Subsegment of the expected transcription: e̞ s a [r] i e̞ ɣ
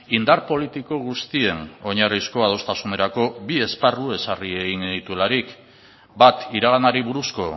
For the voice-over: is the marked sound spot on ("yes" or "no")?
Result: yes